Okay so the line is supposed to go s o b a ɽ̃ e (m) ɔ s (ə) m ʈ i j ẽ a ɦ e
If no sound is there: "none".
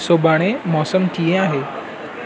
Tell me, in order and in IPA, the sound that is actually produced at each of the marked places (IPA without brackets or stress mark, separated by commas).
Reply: m, ə